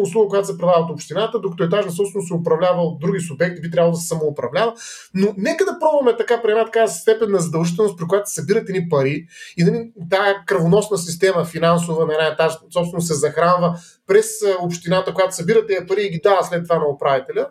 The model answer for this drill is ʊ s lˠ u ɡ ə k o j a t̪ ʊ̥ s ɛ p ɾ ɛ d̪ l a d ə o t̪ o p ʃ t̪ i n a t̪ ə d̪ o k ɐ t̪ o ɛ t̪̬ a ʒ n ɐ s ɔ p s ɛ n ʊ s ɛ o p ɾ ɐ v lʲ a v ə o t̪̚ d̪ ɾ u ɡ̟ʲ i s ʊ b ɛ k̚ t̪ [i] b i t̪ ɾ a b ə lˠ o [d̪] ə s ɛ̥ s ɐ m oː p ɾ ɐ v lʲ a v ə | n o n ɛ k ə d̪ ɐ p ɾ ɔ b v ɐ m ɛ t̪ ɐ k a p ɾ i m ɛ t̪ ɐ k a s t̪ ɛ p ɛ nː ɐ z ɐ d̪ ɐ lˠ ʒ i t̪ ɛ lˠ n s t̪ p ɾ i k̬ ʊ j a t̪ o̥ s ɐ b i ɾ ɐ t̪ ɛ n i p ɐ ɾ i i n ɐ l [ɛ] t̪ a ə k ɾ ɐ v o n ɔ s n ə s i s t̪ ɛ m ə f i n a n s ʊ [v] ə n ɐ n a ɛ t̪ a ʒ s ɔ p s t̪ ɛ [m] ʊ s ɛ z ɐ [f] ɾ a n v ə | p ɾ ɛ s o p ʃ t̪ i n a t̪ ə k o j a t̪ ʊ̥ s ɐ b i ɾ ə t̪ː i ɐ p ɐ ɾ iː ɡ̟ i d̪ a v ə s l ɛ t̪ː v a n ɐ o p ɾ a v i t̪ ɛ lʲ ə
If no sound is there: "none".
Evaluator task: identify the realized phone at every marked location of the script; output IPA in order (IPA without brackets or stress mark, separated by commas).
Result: i, d̪, i, v, n, x